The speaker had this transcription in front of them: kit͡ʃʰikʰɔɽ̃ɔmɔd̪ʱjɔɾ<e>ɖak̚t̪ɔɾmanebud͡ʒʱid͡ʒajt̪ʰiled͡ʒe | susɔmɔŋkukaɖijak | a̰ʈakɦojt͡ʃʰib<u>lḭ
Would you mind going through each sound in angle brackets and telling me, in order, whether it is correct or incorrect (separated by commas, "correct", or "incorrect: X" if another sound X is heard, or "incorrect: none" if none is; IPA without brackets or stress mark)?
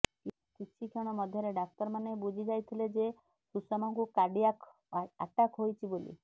correct, incorrect: o